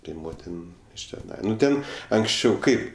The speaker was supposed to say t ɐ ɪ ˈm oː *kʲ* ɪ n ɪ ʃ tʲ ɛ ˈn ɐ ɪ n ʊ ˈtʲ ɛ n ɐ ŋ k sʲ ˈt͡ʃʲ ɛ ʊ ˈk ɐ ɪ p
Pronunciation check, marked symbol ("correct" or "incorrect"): incorrect